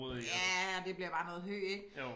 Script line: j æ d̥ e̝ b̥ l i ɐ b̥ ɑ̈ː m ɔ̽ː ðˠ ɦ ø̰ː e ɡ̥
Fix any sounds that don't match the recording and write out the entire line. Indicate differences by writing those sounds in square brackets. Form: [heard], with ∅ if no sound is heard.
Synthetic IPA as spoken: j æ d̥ e̝ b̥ l i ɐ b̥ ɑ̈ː [n] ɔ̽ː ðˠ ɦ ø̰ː e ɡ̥